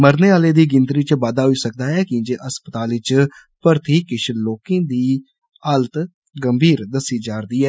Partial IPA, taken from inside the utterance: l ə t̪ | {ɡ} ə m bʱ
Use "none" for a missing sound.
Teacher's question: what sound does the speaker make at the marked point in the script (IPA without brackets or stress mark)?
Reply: ɡ